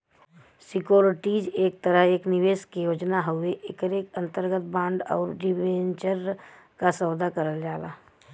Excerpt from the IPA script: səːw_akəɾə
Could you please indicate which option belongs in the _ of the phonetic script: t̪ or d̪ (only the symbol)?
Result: d̪